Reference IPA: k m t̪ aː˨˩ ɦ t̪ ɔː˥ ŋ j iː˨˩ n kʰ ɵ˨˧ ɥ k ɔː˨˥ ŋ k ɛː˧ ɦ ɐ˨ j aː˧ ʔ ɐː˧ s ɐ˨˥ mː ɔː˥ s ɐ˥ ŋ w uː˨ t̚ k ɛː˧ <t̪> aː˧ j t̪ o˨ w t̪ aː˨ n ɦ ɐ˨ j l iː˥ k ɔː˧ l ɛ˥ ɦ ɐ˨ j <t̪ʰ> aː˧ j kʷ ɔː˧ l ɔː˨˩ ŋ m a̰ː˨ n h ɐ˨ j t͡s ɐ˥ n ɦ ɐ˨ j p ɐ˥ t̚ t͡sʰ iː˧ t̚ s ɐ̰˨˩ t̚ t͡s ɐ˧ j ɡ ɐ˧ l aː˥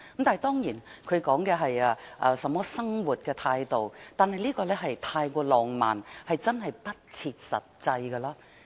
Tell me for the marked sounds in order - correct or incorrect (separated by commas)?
incorrect, correct